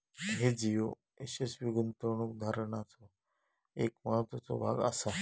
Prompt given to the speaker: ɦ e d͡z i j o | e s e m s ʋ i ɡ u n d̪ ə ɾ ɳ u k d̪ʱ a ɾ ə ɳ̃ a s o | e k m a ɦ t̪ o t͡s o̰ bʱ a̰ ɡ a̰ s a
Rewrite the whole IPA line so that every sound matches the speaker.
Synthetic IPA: ɦ e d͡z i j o | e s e s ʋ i ɡ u n t̪ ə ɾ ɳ u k d̪ʱ a ɾ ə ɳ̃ a t͡s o | e k m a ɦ t̪ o t͡s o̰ bʱ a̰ ɡ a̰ s a